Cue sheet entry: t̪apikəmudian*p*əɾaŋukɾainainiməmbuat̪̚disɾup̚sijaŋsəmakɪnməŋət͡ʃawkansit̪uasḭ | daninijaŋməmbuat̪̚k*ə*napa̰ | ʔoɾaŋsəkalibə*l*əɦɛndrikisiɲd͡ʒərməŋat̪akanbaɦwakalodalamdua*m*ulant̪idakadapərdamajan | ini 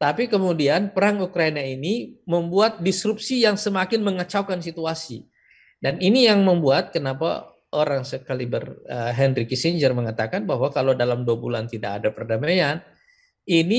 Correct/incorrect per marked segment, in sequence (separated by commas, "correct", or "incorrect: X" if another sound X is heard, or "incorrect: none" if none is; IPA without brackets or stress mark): correct, correct, incorrect: r, incorrect: b